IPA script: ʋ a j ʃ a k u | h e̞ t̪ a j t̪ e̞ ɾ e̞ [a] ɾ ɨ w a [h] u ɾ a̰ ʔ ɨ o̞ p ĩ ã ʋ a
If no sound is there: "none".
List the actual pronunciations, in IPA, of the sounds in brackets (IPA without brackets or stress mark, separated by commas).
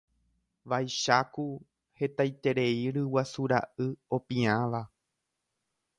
i, s